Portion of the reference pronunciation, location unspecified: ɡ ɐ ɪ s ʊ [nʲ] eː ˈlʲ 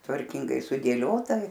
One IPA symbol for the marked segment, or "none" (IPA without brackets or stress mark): dʲ